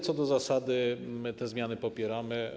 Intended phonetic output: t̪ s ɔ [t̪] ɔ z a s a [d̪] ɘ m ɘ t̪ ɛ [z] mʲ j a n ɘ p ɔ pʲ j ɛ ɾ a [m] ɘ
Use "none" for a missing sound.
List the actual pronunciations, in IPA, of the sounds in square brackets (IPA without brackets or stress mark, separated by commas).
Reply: d̪, d̪, z, m